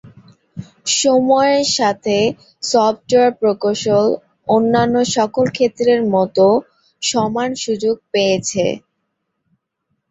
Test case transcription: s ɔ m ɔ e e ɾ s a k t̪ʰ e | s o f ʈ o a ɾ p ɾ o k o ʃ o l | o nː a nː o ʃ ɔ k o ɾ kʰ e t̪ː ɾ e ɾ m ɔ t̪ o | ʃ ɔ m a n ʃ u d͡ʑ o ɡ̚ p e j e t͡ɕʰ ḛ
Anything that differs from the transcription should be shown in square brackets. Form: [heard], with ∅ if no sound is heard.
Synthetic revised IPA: [ʃ] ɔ m ɔ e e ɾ [ʃ] a [∅] t̪ʰ e | s [ɔ] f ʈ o a ɾ p ɾ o k o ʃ o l | o nː a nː o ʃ ɔ k o [l] kʰ e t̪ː ɾ e ɾ m ɔ t̪ o | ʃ ɔ m a n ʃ u d͡ʑ o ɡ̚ p e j e t͡ɕʰ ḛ